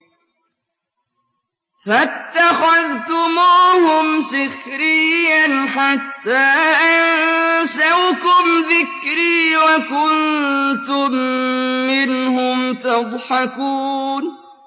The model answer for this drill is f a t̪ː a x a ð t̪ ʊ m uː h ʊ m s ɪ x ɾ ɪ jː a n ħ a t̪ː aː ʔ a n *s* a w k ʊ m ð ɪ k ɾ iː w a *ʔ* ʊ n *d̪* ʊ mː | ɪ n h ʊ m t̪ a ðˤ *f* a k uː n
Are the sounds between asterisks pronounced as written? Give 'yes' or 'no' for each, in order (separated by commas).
yes, no, no, no